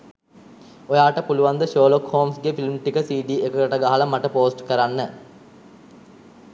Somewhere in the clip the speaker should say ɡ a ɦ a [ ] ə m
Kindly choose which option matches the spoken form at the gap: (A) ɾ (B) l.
B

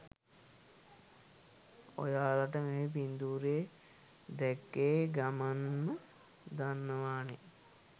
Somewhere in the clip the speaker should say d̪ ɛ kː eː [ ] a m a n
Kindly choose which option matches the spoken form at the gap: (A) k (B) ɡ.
B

